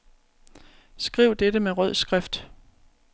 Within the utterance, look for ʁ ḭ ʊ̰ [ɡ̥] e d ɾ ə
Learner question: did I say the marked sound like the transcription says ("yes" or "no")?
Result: no